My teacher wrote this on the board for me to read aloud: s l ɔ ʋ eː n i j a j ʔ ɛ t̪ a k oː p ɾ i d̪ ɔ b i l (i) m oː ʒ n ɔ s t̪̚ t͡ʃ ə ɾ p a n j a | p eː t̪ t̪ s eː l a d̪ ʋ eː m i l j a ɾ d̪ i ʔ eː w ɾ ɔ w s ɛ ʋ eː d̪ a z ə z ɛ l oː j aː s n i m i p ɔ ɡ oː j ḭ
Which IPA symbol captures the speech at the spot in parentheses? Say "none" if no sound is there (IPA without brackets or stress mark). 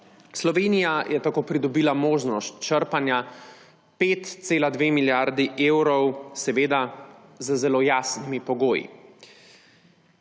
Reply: a